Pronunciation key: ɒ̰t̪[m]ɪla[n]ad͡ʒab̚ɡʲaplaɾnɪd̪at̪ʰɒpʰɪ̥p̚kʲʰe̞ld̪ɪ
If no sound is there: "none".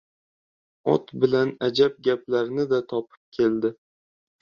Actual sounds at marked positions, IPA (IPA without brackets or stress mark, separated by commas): b, n